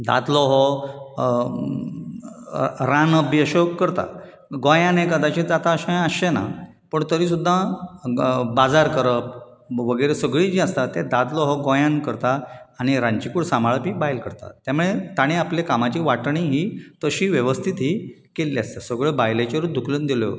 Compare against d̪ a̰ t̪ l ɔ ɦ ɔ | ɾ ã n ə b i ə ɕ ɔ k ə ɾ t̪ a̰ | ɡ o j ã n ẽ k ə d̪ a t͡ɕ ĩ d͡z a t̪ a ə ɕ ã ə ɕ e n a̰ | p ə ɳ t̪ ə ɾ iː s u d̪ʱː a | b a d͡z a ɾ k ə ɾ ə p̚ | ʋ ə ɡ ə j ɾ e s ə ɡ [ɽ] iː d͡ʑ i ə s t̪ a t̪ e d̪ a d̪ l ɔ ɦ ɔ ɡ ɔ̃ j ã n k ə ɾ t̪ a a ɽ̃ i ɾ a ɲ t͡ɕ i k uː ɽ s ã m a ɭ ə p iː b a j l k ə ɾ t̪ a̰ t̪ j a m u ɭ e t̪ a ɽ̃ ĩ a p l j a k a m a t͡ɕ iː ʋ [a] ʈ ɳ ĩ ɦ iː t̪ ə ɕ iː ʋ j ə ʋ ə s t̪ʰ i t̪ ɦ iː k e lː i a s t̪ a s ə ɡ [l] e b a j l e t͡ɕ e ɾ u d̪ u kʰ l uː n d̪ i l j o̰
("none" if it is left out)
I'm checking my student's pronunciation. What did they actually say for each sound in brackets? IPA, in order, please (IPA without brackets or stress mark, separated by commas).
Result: ɭ, a, ɭ